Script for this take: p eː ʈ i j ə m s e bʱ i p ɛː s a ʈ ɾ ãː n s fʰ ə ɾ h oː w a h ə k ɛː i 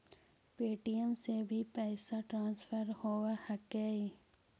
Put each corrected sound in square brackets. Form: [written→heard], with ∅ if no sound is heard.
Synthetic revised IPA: p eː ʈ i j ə m s e bʱ i p ɛː s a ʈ ɾ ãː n s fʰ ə ɾ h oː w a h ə k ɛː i

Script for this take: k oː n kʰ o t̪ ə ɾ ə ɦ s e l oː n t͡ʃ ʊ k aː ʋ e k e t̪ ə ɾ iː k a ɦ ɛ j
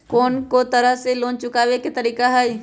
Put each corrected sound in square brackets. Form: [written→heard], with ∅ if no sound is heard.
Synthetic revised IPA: k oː n [kʰ→k] o t̪ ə ɾ ə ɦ s e l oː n t͡ʃ ʊ k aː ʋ e k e t̪ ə ɾ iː k a ɦ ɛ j

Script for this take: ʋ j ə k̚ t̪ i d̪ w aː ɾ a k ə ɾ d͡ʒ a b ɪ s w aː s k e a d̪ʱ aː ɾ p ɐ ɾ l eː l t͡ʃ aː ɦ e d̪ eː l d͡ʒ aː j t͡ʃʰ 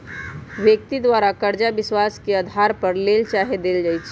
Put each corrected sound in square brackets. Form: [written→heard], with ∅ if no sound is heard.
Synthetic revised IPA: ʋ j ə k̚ t̪ i d̪ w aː ɾ a k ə ɾ d͡ʒ a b ɪ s w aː s k e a d̪ʱ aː ɾ p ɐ ɾ l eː l t͡ʃ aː ɦ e d̪ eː l d͡ʒ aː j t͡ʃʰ

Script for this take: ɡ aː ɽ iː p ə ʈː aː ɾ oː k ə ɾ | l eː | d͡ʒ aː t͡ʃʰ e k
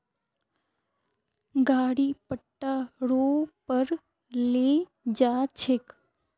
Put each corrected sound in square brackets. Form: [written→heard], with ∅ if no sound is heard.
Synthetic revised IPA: ɡ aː ɽ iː p ə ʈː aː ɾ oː [k→p] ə ɾ | l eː | d͡ʒ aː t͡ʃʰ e k

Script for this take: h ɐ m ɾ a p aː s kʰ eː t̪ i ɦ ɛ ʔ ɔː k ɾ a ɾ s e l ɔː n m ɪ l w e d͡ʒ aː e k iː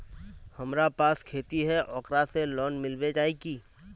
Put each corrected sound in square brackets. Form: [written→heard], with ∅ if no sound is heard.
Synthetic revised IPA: h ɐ m ɾ a p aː s kʰ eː t̪ i ɦ ɛ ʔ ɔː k ɾ a [ɾ→∅] s e l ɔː n m ɪ l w e d͡ʒ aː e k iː

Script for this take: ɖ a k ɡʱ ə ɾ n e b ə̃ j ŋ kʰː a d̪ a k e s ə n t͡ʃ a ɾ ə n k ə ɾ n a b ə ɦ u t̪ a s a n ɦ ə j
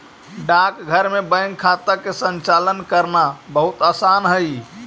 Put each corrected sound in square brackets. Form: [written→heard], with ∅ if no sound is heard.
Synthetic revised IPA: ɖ a k ɡʱ ə ɾ [n→m] e b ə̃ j ŋ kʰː a [d̪→t̪] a k e s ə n t͡ʃ a [ɾ→l] ə n k ə ɾ n a b ə ɦ u t̪ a s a n ɦ ə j

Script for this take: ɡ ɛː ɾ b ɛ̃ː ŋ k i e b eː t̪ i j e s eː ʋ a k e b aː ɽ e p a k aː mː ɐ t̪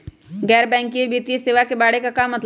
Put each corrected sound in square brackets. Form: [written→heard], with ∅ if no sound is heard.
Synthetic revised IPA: ɡ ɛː ɾ b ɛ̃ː ŋ k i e b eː t̪ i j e s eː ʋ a k e b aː ɽ e [p→k] a k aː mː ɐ t̪

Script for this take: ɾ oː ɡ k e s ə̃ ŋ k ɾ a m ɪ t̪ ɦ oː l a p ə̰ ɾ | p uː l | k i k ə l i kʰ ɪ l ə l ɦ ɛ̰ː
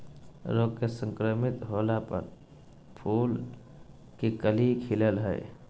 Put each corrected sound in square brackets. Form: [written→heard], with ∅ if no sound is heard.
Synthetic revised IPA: ɾ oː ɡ k e s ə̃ ŋ k ɾ [a→ə] m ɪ t̪ ɦ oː l a p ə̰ ɾ | [p→pʰ] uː l | k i k ə l i kʰ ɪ l ə l ɦ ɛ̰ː

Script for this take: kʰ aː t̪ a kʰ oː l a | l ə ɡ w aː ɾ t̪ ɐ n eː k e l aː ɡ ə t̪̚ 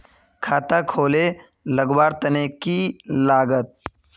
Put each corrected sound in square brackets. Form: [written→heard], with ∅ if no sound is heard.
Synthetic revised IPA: kʰ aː t̪ a kʰ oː l [a→e] | l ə ɡ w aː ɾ t̪ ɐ n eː k [e→i] l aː ɡ ə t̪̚

